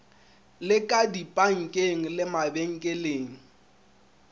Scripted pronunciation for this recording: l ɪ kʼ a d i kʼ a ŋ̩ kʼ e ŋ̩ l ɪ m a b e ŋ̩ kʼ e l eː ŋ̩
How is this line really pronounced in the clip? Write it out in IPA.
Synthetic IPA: l ɪ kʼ a d i pʼ a ŋ̩ kʼ e ŋ̩ l ɪ m a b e ŋ̩ kʼ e l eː ŋ̩